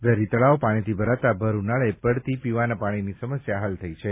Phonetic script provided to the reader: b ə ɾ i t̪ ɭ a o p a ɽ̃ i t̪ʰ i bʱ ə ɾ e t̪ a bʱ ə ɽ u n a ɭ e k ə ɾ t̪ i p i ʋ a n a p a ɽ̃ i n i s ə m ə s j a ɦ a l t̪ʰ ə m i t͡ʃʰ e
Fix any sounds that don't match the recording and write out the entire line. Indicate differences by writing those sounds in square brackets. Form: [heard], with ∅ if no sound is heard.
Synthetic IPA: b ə ɾ i t̪ ɭ a o p a ɽ̃ i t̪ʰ i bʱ ə ɾ [a] t̪ a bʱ ə [ɾ] u n a ɭ e [p] ə [ɽ] t̪ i p i ʋ a n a p a ɽ̃ i n i s ə m ə s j a ɦ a l t̪ʰ ə [∅] i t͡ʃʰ e